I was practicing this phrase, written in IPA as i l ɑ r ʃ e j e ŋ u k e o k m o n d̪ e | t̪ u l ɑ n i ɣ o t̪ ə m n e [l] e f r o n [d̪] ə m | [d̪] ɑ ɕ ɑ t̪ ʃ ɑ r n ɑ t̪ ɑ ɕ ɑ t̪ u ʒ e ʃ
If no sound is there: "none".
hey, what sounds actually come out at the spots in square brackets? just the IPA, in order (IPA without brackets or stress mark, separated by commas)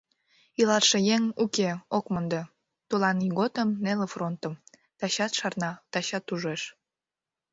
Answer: l, t̪, t̪